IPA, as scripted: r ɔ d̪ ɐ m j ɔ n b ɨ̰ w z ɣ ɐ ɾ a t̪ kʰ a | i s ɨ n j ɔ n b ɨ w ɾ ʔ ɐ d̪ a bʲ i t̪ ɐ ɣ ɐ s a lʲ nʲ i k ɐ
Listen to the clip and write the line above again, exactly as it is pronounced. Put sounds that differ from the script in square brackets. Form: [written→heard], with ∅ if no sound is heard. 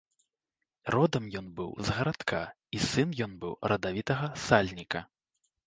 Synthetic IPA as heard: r ɔ d̪ ɐ m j ɔ n b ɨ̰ w z ɣ ɐ ɾ a t̪ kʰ a | i s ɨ n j ɔ n b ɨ w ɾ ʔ ɐ d̪ a [bʲ→vʲ] i t̪ ɐ ɣ ɐ s a lʲ nʲ i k ɐ